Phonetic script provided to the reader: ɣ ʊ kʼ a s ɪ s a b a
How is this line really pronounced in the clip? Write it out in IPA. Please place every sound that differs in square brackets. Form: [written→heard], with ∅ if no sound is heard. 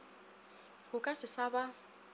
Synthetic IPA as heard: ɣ ʊ kʼ a s ɪ s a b a